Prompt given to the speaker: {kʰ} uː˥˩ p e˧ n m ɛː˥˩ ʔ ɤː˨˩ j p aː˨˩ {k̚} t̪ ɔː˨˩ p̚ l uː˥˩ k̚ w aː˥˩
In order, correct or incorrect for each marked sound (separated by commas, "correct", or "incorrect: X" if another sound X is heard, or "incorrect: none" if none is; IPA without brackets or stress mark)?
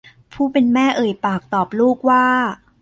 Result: incorrect: pʰ, correct